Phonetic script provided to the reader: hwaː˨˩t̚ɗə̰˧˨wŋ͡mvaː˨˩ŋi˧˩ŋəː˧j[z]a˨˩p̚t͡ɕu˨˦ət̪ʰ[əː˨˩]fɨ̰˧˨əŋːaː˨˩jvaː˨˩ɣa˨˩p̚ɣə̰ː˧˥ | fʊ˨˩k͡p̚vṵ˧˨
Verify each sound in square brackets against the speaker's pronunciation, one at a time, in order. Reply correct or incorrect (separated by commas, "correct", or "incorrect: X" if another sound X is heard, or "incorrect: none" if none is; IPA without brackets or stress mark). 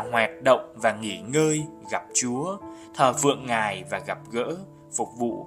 incorrect: ɣ, correct